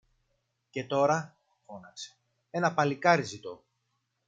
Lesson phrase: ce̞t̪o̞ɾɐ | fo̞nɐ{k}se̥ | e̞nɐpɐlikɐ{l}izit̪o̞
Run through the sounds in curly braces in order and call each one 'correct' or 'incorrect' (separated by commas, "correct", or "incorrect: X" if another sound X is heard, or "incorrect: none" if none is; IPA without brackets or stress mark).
correct, incorrect: ɾ